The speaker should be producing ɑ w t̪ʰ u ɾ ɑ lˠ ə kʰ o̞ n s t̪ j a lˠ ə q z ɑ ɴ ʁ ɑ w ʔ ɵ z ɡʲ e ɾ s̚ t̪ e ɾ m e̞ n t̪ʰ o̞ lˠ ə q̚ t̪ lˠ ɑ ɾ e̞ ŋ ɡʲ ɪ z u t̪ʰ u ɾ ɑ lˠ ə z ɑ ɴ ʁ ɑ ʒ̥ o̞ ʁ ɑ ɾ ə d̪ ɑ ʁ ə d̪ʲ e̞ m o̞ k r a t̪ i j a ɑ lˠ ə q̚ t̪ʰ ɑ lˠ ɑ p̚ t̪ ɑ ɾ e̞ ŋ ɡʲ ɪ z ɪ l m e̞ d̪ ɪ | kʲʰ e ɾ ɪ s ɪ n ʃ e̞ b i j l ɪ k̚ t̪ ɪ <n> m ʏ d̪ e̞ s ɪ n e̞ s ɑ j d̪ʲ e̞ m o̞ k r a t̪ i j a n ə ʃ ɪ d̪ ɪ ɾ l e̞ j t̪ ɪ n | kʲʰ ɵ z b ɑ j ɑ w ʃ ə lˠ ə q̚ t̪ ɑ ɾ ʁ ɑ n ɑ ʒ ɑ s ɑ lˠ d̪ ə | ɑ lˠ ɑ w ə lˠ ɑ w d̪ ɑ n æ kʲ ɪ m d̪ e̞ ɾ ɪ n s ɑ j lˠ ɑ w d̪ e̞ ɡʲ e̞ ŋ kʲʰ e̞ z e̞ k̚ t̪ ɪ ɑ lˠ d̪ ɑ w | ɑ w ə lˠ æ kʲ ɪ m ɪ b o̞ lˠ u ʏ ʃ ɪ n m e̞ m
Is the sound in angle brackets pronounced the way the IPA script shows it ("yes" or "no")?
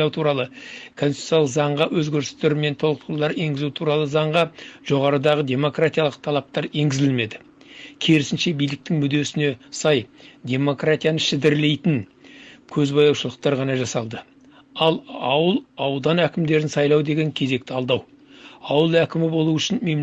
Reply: no